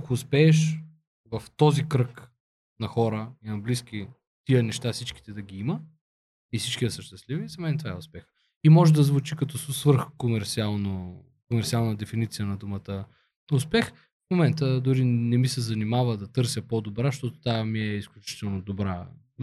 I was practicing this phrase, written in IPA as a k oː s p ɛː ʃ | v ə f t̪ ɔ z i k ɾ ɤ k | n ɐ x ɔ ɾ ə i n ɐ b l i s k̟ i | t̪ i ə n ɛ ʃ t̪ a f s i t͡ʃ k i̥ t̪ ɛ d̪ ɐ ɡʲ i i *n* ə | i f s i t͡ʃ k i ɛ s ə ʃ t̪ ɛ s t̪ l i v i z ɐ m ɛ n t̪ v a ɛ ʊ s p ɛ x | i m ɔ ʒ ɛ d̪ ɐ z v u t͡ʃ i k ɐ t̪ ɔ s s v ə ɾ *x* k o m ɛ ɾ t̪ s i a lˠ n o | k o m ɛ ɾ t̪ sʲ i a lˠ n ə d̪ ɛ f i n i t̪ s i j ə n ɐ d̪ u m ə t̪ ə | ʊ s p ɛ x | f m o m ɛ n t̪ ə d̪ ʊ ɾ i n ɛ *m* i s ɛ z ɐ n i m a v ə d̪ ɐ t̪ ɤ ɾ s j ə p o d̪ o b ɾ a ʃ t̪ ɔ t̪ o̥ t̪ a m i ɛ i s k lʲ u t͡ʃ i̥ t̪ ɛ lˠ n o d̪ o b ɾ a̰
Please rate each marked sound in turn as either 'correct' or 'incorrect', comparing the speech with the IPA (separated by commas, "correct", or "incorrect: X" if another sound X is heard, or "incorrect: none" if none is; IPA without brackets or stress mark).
incorrect: m, correct, correct